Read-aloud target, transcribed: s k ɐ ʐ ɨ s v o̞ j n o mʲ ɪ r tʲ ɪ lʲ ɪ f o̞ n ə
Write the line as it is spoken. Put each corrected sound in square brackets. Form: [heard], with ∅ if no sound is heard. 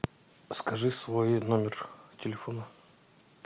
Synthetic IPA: s k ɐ ʐ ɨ s v o̞ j n o mʲ ɪ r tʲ ɪ lʲ ɪ f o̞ n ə